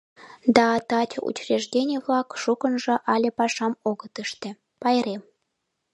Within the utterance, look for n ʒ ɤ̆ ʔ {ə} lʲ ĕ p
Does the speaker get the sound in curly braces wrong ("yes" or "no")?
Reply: yes